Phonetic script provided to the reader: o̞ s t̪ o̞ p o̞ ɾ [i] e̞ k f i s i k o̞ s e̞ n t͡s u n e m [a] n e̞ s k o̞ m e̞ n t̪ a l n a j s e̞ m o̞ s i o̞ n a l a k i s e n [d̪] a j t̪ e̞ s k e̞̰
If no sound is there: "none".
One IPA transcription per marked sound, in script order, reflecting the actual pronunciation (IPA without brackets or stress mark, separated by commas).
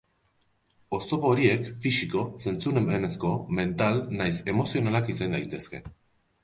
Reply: i, e, d̪